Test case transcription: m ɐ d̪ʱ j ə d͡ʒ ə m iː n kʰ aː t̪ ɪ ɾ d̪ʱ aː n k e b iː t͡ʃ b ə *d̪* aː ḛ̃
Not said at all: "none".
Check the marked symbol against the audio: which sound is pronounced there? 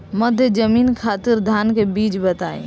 t̪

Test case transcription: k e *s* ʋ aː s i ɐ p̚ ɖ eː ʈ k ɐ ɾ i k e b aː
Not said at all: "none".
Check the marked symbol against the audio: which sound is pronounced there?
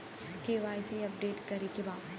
none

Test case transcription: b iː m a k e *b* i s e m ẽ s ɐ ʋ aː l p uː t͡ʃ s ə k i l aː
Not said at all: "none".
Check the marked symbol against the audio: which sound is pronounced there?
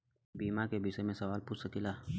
b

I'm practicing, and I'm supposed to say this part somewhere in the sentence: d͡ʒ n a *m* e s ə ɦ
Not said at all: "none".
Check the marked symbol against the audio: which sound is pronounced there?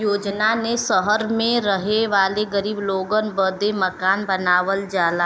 n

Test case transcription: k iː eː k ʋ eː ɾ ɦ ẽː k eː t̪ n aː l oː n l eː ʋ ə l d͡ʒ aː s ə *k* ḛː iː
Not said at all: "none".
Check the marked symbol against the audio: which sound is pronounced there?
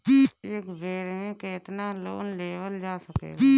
k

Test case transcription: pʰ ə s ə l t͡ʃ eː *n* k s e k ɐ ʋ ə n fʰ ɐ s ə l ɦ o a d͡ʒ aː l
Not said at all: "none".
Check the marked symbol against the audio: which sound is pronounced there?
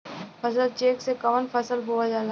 none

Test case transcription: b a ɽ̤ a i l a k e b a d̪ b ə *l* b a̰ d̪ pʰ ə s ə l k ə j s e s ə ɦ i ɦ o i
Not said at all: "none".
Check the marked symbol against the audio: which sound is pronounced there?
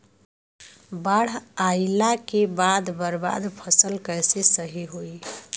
ɾ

